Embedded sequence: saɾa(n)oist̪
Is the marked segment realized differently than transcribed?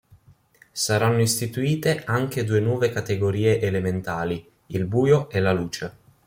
yes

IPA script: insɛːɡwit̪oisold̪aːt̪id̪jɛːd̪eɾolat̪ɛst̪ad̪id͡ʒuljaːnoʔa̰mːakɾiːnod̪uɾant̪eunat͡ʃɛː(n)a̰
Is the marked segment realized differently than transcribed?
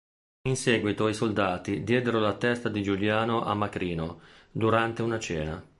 no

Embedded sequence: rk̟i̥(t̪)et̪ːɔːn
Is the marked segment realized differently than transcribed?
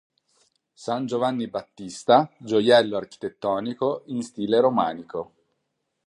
no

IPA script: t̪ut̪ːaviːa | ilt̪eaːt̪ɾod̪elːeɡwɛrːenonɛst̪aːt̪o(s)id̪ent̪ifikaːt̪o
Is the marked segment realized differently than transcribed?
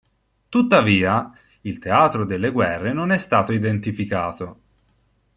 yes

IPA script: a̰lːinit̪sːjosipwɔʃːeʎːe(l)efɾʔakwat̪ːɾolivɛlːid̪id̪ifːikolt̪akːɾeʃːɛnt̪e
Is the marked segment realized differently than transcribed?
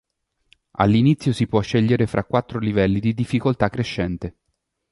yes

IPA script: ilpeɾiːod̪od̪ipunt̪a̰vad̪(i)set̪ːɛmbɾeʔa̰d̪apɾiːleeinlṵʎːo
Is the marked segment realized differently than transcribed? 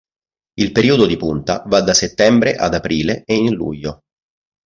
yes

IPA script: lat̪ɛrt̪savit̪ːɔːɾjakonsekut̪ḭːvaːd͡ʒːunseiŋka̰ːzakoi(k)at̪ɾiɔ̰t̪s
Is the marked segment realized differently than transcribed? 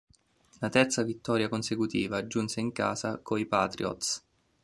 yes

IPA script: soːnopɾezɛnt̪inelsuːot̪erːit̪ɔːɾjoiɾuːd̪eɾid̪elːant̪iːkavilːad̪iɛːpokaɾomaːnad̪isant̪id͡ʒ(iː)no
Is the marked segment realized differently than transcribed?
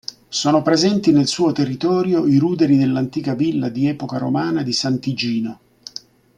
no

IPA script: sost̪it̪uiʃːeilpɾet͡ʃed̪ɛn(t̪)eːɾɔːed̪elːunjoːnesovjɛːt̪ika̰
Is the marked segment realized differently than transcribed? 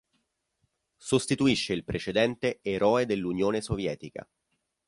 no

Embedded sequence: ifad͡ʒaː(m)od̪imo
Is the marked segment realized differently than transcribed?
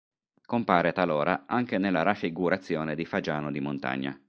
yes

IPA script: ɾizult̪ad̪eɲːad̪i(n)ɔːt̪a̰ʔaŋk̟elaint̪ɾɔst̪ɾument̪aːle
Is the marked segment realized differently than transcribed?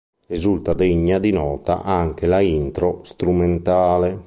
no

